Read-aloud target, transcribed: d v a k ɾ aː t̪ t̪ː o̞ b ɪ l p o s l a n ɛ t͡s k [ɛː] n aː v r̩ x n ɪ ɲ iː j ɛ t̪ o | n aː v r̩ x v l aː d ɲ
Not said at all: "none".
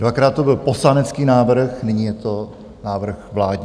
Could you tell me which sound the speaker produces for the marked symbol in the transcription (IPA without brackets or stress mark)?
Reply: iː